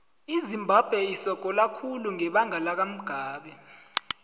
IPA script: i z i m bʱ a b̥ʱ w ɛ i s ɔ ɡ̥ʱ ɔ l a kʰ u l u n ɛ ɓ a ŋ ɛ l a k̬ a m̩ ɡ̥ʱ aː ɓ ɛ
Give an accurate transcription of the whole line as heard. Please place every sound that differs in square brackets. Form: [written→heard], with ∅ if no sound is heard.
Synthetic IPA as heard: i z i m bʱ a b̥ʱ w ɛ i s ɔ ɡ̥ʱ ɔ l a kʰ u l u [n→ŋ] ɛ ɓ a ŋ [ɛ→a] l a k̬ a m̩ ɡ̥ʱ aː ɓ ɛ